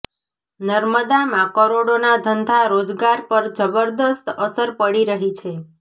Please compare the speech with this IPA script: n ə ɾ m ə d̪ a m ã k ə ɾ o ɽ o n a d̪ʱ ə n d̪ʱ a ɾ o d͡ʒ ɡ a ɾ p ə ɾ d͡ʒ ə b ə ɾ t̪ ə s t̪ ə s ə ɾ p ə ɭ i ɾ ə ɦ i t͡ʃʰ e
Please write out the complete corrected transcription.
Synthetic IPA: n ə ɾ m ə d̪ a m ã k ə ɾ o ɽ o n a d̪ʱ ə n d̪ʱ a ɾ o d͡ʒ ɡ a ɾ p ə ɾ d͡ʒ ə b ə ɾ d̪ ə s t̪ ə s ə ɾ p ə ɽ i ɾ ə ɦ i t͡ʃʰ e